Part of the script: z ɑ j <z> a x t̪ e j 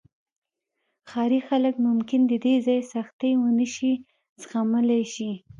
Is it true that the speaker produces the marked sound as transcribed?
no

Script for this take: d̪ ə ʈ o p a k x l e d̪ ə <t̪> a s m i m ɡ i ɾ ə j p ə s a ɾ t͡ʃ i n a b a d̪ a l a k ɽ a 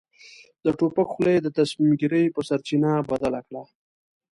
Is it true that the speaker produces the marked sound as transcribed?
yes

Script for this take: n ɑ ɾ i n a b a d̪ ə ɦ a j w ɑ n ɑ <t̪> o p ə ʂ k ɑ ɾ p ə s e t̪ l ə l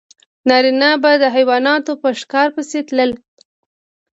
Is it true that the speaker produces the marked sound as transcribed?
yes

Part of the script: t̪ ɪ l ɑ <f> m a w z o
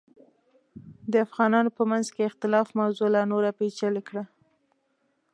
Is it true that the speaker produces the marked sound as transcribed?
yes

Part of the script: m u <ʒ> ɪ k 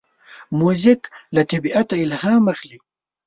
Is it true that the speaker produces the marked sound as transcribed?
no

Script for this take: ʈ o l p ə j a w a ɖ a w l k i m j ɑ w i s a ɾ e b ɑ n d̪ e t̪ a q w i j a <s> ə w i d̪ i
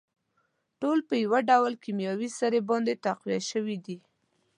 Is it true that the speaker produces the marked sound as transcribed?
no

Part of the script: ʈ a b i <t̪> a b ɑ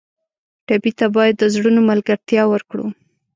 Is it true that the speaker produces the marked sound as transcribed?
yes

